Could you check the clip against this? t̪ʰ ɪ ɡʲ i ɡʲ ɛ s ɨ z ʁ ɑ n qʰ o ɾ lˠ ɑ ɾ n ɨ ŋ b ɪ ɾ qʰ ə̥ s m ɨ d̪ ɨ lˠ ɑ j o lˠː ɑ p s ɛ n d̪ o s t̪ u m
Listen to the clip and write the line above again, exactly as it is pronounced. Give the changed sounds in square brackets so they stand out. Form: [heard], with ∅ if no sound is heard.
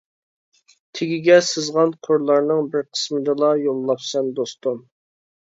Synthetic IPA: t̪ʰ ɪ ɡʲ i ɡʲ ɛ s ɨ z ʁ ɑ n qʰ o ɾ lˠ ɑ ɾ n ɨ ŋ b ɪ ɾ qʰ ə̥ s m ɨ d̪ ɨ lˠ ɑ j o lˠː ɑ p s ɛ n d̪ o s t̪ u m